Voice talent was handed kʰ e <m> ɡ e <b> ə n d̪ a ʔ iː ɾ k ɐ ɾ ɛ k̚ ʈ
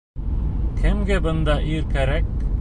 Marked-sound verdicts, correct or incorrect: correct, correct

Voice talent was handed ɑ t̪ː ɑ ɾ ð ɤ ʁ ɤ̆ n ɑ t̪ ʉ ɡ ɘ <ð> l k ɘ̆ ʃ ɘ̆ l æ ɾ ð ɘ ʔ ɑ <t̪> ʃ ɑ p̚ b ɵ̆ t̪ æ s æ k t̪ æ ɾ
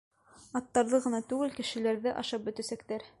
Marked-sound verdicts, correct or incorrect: incorrect: none, incorrect: none

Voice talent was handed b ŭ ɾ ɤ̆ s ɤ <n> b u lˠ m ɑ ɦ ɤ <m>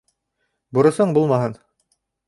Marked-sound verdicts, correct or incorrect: incorrect: ɴ, incorrect: n

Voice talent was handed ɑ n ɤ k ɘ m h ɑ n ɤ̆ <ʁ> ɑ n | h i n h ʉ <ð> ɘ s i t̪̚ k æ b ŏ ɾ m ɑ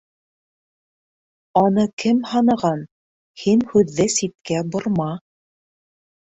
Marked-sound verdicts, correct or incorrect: correct, incorrect: ðː

